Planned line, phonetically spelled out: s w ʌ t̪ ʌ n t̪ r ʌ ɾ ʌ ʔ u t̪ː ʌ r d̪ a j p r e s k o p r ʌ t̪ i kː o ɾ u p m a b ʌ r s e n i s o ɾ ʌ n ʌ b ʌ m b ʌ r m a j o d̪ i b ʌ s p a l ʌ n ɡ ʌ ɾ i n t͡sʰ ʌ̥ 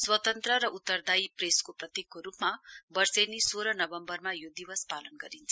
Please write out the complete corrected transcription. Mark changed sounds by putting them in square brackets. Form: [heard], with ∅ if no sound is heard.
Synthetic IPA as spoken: s w ʌ t̪ ʌ n t̪ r ʌ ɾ ʌ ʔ u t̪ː ʌ r d̪ a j p r e s k o p r ʌ t̪ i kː o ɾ u p m a b ʌ r s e n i s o ɾ ʌ n ʌ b ʌ m b ʌ r m a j o d̪ i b ʌ s p a l ʌ n ɡ ʌ ɾ i n t͡sʰ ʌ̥